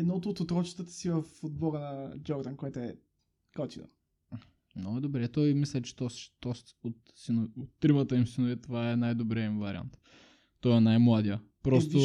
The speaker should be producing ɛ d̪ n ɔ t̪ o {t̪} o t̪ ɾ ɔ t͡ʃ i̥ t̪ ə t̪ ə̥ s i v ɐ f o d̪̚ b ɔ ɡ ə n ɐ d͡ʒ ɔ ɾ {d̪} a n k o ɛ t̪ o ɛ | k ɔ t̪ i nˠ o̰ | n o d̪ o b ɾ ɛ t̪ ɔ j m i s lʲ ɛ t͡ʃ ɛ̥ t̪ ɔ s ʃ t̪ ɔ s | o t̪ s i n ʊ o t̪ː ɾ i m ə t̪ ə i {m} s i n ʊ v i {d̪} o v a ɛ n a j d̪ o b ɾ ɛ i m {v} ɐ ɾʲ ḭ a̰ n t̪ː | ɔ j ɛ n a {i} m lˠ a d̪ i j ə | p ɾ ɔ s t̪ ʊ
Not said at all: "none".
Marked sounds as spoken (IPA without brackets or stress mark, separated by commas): t̪, d̪, m, t̪, v, j